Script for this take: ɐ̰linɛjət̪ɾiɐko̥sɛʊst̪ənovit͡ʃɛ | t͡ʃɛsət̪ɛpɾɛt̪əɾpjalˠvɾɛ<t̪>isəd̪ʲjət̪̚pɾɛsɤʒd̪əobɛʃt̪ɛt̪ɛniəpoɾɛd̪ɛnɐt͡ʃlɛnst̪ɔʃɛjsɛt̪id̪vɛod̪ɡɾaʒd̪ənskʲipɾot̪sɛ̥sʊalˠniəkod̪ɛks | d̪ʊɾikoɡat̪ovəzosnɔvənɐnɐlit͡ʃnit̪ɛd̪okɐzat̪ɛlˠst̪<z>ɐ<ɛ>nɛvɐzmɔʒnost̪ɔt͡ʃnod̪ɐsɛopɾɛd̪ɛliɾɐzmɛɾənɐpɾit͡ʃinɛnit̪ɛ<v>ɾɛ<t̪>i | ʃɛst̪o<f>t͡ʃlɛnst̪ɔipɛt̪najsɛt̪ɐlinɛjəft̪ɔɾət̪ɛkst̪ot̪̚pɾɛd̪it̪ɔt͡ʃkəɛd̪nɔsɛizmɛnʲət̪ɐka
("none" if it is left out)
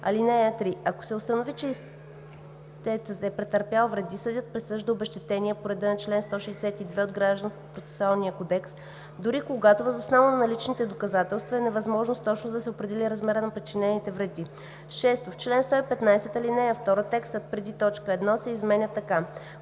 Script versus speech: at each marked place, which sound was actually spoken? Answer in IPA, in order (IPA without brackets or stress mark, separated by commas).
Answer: d̪, v, ɛ, v, d̪, f